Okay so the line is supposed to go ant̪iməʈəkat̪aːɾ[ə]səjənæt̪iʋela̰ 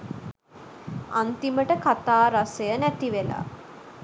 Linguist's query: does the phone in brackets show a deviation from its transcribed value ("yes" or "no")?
yes